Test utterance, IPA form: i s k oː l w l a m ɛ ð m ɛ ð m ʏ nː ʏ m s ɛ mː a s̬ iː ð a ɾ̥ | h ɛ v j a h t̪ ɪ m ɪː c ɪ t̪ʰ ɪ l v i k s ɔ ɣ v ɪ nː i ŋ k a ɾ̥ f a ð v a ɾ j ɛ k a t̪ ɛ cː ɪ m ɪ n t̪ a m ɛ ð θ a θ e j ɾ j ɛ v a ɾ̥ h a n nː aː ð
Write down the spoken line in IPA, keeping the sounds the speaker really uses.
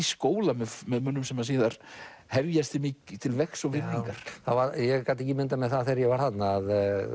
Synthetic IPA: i s k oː w l a m ɛ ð m ɛ ð m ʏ nː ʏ m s ɛ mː a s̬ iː ð a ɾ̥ | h ɛ v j a s t̪ ɪ m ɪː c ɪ t̪ʰ ɪ l v ɛ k s ɔ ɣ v ɪ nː i ŋ k a ɾ̥ θ a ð v a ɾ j ɛ k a t̪ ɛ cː ɪ m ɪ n t̪ a m ɛ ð θ a θ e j ɾ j ɛ v a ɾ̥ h a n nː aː ð